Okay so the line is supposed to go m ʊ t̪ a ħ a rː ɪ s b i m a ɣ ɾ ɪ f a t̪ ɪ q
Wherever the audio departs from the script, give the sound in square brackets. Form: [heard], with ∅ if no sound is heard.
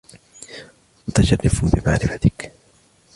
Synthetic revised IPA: m ʊ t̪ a [ʃ] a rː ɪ [f] b [ɪ] m a [ʕ] ɾ ɪ f a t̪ ɪ [k]